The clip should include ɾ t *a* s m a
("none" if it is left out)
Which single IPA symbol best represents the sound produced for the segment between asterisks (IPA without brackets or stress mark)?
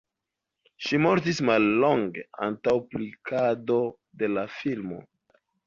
i